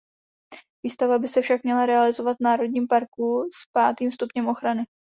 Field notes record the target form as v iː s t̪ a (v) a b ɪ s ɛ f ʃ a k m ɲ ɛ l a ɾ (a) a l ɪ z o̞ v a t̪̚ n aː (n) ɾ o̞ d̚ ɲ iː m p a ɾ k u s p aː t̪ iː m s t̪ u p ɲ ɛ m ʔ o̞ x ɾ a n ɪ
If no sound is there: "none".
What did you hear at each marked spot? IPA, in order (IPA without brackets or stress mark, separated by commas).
v, ɛ, none